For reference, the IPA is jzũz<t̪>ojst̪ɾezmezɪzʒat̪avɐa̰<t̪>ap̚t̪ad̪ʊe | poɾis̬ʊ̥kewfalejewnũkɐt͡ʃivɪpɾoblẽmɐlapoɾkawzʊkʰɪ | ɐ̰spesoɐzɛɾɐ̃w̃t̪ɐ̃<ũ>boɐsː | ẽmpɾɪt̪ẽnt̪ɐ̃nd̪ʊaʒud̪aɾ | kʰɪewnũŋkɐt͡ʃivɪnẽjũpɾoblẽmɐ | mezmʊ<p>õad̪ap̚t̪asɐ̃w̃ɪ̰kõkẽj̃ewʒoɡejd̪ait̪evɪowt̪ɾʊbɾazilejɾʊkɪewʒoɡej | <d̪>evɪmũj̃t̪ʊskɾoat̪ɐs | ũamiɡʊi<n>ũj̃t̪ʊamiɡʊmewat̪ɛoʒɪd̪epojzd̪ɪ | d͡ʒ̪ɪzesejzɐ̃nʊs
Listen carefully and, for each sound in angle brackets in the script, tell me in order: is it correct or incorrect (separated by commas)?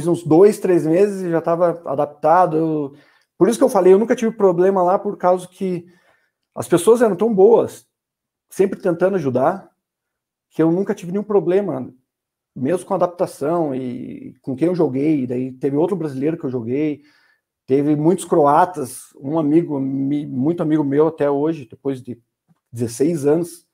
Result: incorrect, incorrect, incorrect, incorrect, incorrect, incorrect